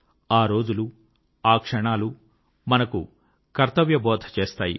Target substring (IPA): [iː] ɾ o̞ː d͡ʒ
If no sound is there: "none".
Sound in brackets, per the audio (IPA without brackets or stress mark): aː